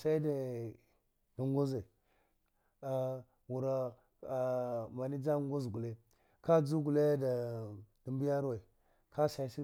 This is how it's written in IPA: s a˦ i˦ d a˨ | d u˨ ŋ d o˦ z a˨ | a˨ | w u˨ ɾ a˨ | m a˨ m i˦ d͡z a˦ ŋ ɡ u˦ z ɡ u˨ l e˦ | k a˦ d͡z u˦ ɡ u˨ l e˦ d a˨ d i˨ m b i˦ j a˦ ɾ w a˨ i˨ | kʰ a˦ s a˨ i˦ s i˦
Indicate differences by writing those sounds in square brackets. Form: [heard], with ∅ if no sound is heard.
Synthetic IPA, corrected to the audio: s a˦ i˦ d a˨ | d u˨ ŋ [ɡ] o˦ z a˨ | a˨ | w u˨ ɾ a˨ | m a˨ [n] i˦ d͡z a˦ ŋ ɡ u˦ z ɡ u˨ l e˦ | k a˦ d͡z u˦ ɡ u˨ l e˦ d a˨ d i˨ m b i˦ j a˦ ɾ w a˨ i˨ | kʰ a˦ s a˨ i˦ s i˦